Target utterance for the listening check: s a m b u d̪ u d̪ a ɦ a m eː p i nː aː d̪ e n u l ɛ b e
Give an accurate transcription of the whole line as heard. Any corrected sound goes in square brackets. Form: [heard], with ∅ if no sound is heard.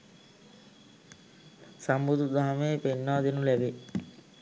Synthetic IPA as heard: s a m b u d̪ u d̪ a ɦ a m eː p [e] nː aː d̪ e n u l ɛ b e